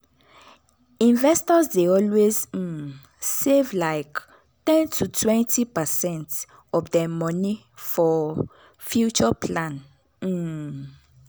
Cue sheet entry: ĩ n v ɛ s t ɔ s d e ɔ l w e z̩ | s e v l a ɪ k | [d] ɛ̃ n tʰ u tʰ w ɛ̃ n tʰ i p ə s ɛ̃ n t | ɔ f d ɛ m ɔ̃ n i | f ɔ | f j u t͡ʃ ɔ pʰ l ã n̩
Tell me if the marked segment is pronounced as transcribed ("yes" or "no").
no